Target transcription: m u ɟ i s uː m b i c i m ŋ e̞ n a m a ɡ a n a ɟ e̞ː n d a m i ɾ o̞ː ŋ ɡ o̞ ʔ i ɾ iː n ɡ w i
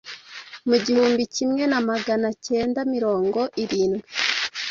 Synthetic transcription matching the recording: m u ɟ i h uː m b i c i m ŋ e̞ n a m a ɡ a n a c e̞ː n d a m i ɾ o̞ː ŋ ɡ o̞ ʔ i ɾ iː n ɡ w i